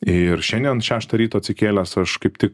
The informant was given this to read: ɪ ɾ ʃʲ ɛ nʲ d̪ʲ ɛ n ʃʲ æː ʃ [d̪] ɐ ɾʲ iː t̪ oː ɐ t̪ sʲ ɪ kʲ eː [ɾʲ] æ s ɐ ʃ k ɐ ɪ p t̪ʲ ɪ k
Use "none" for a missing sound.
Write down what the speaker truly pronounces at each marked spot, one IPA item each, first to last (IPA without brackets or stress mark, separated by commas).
t̪, lʲ